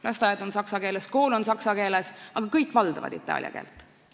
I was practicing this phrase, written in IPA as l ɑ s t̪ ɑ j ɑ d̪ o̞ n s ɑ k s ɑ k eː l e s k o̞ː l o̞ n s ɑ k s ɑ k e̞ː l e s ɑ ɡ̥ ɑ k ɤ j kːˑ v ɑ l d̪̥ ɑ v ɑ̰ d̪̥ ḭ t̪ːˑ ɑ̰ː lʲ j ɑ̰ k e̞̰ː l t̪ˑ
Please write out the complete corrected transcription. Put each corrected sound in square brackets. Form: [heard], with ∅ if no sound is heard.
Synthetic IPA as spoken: l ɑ s t̪ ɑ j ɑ d̪ o̞ n s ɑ k s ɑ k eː l e s k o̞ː l o̞ n s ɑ k s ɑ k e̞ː l e s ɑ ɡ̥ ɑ k ɤ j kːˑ v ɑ l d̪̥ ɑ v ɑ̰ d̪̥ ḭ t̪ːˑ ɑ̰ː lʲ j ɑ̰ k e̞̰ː l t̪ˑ